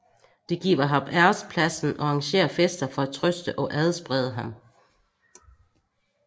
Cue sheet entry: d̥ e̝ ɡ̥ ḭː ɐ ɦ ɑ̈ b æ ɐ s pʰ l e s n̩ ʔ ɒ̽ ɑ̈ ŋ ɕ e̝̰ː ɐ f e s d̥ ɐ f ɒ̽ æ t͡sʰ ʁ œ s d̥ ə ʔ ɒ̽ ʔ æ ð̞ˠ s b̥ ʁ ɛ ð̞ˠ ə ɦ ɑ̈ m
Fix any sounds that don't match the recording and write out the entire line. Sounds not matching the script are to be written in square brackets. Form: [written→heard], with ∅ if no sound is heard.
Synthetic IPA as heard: d̥ e̝ ɡ̥ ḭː ɐ ɦ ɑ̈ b æ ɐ s pʰ l [e→æ] s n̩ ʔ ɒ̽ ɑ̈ ŋ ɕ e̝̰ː ɐ f e s d̥ ɐ f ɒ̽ æ t͡sʰ ʁ œ s d̥ ə ʔ ɒ̽ ʔ æ ð̞ˠ s b̥ ʁ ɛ ð̞ˠ ə ɦ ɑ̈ m